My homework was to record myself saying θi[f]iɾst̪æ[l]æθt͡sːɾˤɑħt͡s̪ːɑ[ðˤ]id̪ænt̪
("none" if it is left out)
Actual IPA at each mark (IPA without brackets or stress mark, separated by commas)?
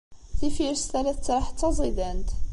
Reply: f, l, zˤ